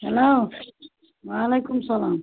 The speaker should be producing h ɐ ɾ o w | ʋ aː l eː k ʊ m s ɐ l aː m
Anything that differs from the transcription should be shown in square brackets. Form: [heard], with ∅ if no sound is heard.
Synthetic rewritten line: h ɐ [l] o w | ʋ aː l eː k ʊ m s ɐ l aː m